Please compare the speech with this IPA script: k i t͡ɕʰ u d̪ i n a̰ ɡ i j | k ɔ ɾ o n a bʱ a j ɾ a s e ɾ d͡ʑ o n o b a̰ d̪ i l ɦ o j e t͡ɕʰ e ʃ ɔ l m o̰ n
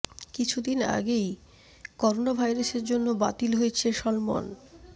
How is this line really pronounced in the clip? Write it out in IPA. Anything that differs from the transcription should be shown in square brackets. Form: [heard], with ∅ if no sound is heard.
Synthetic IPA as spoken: k i t͡ɕʰ u d̪ i n a̰ ɡ [e] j | k ɔ ɾ o n a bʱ a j ɾ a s e ɾ d͡ʑ o [nː] o b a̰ [t̪] i l ɦ o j e t͡ɕʰ e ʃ ɔ l m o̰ n